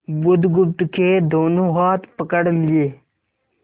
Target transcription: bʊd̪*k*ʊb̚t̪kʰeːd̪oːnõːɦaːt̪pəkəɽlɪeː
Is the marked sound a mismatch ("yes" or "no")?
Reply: yes